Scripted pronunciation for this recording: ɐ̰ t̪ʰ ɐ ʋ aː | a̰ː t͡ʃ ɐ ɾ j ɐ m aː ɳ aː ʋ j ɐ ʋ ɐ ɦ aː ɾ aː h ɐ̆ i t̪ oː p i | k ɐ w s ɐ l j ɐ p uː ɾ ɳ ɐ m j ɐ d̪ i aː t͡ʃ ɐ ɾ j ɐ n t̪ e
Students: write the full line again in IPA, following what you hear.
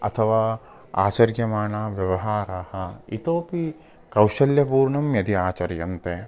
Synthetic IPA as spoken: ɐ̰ t̪ʰ ɐ ʋ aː | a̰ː t͡ʃ ɐ ɾ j ɐ m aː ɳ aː ʋ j ɐ ʋ ɐ ɦ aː ɾ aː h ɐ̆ i t̪ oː p i | k ɐ w ʃ ɐ l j ɐ p uː ɾ ɳ ɐ m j ɐ d̪ i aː t͡ʃ ɐ ɾ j ɐ n t̪ e